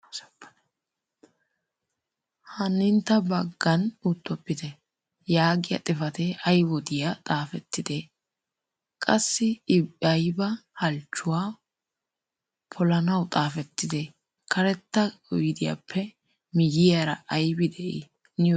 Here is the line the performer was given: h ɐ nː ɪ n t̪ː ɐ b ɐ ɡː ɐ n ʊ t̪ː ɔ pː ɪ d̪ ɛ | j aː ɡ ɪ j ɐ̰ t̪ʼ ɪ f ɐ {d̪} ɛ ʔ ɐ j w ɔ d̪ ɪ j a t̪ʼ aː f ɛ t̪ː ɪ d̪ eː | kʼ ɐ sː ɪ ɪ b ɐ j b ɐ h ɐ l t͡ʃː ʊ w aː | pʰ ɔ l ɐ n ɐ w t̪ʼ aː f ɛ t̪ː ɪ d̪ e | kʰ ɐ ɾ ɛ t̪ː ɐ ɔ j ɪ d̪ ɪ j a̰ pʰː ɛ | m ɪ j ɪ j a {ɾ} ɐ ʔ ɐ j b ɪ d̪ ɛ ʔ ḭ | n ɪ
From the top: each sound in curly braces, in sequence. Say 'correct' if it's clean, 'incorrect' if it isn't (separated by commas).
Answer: incorrect, correct